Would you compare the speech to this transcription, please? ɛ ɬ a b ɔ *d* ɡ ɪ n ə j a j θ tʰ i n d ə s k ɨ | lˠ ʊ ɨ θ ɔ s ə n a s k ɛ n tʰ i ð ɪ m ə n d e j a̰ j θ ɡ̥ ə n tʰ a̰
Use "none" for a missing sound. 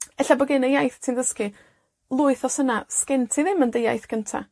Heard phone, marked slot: none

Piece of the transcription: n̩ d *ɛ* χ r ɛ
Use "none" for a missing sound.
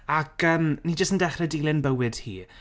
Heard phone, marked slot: ɛ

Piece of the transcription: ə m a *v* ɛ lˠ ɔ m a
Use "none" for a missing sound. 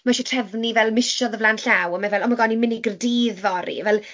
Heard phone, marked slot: v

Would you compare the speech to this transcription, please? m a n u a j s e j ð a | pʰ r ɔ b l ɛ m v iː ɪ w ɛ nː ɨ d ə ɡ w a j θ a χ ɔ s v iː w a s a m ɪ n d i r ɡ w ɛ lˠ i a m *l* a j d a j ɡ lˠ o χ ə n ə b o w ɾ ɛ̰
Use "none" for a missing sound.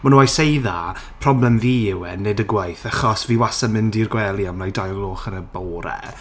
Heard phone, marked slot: l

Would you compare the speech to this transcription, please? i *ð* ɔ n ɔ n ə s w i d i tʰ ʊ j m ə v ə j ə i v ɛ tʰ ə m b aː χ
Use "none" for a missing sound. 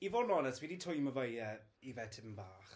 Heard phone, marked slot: v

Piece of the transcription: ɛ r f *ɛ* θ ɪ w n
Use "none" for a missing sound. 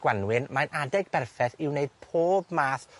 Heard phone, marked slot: ɛ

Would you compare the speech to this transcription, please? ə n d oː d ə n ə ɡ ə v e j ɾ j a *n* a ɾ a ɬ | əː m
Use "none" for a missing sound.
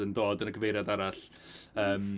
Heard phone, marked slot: d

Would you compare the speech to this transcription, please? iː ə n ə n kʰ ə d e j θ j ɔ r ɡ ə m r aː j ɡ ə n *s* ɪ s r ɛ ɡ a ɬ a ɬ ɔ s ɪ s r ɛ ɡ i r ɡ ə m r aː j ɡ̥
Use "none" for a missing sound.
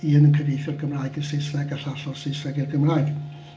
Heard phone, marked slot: s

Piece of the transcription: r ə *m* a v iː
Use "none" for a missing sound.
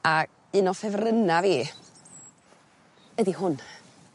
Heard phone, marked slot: n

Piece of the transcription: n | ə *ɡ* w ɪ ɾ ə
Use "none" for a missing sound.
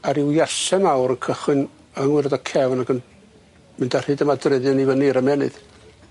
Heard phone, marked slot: ŋ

